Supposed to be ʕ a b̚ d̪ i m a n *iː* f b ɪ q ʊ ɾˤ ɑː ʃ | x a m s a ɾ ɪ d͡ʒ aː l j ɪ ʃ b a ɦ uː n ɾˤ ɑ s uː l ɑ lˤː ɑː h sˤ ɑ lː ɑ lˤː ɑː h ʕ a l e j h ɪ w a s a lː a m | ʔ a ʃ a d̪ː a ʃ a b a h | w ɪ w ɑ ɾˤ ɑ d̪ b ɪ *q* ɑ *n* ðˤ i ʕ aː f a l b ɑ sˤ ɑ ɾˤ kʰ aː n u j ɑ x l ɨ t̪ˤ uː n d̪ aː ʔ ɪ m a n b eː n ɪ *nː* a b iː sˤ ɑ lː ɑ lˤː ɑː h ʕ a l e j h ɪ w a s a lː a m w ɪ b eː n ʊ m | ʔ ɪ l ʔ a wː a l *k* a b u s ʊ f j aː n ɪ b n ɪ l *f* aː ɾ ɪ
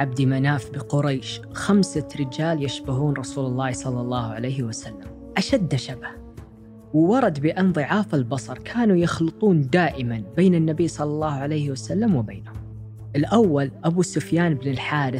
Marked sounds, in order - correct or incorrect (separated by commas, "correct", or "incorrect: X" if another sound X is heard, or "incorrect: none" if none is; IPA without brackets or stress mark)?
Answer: incorrect: aː, incorrect: ʔ, correct, correct, incorrect: ʔ, incorrect: ħ